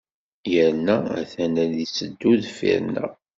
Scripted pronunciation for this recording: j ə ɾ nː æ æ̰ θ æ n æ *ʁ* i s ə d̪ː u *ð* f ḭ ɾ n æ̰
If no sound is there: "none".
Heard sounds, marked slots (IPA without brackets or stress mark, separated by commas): ð, ð